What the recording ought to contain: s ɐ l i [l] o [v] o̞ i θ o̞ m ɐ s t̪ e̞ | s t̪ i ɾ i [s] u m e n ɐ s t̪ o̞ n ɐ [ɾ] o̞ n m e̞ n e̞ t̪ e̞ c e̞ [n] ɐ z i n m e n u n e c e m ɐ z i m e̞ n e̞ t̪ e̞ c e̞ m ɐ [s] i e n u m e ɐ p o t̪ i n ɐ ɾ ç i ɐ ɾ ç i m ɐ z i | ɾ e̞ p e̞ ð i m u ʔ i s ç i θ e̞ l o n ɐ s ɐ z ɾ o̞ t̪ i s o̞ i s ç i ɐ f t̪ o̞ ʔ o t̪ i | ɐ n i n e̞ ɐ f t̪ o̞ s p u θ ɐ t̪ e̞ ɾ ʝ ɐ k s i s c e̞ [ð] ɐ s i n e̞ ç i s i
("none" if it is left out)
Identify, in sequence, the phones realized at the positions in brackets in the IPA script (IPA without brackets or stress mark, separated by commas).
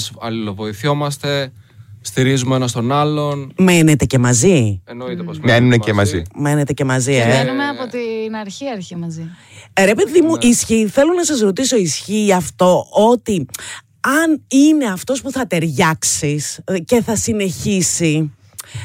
l, v, z, l, m, z, θ